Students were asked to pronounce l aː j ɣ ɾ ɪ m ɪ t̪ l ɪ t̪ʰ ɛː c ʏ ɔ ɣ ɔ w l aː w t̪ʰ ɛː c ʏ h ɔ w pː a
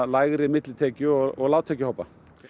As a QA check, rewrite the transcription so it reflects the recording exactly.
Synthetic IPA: l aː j ɣ ɾ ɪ m ɪ t̪ l ɪ t̪ʰ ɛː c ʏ ɔ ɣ ɔ ɣ l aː w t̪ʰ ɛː c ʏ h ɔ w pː a